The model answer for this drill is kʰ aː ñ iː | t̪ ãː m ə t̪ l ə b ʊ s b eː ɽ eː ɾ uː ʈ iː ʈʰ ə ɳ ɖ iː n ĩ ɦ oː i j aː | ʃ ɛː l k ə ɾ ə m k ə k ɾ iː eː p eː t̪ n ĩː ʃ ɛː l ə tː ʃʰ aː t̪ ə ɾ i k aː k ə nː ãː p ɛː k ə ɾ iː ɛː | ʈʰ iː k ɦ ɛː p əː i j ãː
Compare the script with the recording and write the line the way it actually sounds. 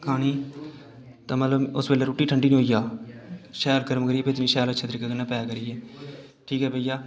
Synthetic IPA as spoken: kʰ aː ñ iː | t̪ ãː m ə t̪ l ə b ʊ s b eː l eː ɾ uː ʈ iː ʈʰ ə ɳ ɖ iː n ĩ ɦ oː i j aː | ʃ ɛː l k ə ɾ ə m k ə ɾ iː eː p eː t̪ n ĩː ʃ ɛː l ə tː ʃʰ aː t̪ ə ɾ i k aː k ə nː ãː p ɛː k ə ɾ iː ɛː | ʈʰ iː k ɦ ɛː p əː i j aː